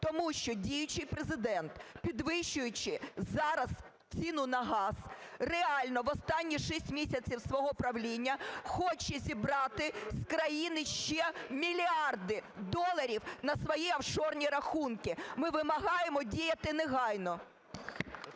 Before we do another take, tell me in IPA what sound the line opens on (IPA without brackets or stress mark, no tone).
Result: t̪